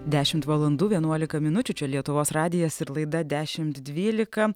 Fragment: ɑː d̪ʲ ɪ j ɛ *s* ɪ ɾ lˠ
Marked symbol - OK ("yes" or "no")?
yes